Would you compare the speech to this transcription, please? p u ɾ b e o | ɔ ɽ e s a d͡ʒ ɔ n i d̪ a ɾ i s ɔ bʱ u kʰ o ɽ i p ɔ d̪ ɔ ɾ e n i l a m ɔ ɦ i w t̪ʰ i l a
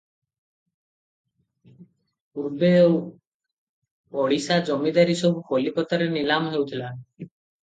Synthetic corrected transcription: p u ɾ b e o | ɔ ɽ i s a d͡ʒ ɔ m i d̪ a ɾ i s ɔ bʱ u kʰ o l i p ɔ t̪ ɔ ɾ e n i l a m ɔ ɦ e w t̪ʰ i l a

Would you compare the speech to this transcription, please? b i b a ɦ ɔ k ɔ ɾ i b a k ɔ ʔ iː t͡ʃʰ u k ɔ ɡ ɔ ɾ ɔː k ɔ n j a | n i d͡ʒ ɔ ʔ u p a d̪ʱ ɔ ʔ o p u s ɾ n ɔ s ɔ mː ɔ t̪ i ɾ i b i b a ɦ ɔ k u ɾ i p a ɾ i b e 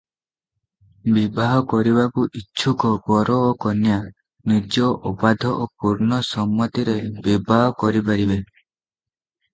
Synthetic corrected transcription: b i b a ɦ ɔ k ɔ ɾ i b a k u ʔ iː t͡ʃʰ u k ɔ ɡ ɔ ɾ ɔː k ɔ n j a | n i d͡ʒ ɔ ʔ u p a d̪ʱ ɔ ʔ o p u ɾ n ɔ s ɔ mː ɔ t̪ i ɾ e b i b a ɦ ɔ k ɔ ɾ i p a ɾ i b e

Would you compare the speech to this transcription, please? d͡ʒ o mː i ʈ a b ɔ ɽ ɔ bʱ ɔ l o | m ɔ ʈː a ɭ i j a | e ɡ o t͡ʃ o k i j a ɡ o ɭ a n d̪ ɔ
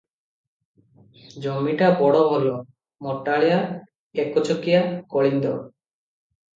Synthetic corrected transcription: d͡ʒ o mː i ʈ a b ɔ ɽ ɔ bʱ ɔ l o | m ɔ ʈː a ɭ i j a | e k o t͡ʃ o k i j a k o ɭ i n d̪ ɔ

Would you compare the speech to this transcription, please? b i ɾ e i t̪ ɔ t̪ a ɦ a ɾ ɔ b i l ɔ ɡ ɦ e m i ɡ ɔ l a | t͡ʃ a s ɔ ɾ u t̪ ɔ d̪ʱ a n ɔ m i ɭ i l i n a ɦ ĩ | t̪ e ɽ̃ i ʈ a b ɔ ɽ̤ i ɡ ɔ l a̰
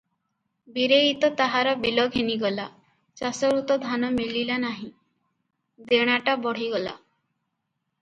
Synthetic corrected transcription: b i ɾ e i t̪ ɔ t̪ a ɦ a ɾ ɔ b i l ɔ ɡ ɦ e n i ɡ ɔ l a | t͡ʃ a s ɔ ɾ u t̪ ɔ d̪ʱ a n ɔ m i l i l a n a ɦ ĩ | d̪ e ɽ̃ a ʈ a b ɔ ɽ̤ i ɡ ɔ l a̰

